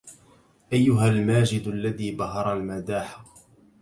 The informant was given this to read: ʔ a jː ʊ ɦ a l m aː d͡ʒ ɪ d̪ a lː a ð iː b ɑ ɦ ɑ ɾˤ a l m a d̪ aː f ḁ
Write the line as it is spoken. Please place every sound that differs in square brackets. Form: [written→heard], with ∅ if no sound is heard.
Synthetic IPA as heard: ʔ a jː ʊ ɦ a l m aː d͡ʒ ɪ d̪ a lː a ð iː b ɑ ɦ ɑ ɾˤ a l m a d̪ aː [f→ħ] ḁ